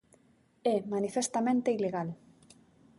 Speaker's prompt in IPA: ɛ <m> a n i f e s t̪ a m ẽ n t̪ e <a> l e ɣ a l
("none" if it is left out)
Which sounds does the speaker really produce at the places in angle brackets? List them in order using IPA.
m, i

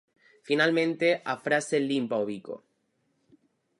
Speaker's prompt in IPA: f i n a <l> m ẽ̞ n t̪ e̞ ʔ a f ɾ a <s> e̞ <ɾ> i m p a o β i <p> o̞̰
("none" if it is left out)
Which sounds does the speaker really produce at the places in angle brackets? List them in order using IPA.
l, s, l, k

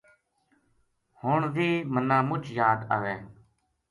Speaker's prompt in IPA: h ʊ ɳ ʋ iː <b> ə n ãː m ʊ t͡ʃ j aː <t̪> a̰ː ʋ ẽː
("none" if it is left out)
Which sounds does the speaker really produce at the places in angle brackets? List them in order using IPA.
m, d̪

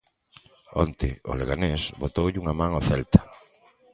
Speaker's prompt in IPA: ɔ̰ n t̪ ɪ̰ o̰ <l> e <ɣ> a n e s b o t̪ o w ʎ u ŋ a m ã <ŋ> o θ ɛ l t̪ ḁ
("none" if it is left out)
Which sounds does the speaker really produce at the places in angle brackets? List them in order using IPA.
l, ɣ, ŋ

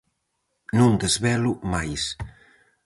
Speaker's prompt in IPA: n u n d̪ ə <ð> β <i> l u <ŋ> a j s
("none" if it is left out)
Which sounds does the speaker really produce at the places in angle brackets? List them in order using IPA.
z, ɛ, m

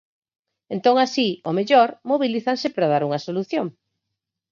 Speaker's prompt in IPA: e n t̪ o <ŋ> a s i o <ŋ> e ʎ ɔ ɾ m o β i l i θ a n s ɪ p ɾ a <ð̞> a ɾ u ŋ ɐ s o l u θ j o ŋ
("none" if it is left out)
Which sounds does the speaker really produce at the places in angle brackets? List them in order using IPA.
ŋ, m, ð̞

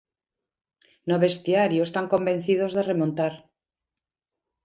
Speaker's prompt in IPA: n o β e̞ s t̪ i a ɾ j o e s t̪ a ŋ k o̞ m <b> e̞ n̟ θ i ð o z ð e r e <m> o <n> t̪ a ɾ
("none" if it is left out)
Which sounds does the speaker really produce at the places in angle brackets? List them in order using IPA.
b, m, n

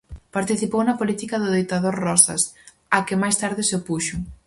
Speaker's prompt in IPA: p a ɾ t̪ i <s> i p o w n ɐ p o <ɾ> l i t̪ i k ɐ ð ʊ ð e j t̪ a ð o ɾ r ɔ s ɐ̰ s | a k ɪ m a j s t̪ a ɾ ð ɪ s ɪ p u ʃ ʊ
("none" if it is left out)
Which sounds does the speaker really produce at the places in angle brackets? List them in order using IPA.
θ, none

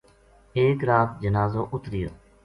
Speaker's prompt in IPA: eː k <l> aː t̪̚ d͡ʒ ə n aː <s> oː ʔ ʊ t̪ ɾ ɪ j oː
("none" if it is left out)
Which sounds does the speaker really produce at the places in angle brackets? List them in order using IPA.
ɾ, z

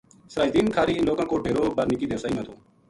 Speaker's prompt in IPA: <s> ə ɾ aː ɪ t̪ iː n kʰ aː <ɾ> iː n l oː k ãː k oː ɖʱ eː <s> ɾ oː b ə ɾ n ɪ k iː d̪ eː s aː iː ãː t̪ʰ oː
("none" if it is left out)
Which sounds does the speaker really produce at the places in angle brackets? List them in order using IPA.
s, ɾ, none

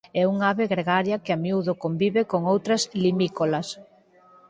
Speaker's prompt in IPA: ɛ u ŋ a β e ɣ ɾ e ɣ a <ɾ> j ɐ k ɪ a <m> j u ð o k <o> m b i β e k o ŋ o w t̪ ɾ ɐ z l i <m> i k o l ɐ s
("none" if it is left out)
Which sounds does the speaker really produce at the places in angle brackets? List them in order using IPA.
ɾ, m, o, m

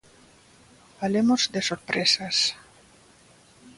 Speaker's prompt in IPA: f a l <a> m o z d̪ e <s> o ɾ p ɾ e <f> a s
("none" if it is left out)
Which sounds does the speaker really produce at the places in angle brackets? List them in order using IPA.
e, s, s

